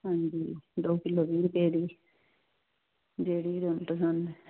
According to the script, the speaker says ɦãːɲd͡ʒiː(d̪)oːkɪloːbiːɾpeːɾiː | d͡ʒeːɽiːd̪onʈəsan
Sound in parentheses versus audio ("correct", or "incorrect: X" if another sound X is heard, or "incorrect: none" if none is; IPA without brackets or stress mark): correct